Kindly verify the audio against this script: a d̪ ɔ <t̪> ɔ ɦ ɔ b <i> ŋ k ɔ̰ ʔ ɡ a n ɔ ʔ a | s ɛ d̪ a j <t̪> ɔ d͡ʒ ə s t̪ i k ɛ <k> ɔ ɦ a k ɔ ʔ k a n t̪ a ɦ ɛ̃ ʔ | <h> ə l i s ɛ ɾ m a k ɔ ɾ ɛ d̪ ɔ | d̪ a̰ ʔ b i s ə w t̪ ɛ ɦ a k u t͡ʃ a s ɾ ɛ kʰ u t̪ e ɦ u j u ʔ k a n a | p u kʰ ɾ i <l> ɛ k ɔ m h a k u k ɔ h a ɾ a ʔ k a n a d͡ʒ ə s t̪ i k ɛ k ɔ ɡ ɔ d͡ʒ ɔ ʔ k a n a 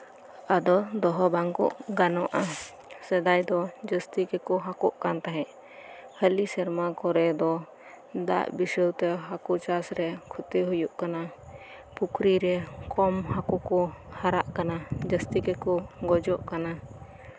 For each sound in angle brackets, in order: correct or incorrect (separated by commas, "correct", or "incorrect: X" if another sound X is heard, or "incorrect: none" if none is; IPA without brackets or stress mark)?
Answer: incorrect: d̪, incorrect: a, incorrect: d̪, correct, correct, incorrect: ɾ